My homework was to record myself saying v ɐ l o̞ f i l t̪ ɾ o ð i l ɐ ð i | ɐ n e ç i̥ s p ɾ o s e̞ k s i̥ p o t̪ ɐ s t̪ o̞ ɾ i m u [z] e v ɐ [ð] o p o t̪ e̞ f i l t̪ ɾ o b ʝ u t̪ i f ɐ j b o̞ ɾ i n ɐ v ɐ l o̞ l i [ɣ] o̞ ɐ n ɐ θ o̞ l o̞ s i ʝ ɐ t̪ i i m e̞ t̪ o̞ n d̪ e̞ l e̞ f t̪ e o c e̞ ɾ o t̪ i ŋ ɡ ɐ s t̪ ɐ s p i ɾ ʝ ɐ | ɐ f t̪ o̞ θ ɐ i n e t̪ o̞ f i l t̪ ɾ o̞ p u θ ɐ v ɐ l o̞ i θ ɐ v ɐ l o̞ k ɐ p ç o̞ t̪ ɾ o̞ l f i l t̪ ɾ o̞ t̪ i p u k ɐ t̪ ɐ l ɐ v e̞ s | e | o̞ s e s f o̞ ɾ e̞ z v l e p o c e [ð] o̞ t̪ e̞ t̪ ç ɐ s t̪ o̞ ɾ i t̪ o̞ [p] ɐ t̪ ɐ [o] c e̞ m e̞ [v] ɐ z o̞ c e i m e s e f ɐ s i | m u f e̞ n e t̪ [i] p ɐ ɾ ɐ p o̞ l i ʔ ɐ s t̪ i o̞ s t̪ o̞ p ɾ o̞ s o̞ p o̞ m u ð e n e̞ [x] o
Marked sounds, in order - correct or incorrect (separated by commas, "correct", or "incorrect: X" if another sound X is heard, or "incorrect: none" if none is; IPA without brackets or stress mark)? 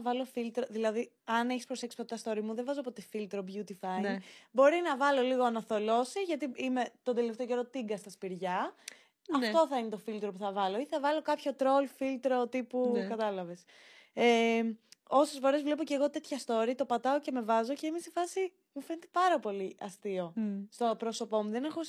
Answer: incorrect: ð, incorrect: z, correct, incorrect: ɣ, correct, correct, correct, incorrect: e, correct